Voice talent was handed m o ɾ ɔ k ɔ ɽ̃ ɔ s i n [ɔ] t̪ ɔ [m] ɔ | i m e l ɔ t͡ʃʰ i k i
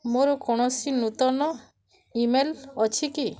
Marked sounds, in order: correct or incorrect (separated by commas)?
incorrect, incorrect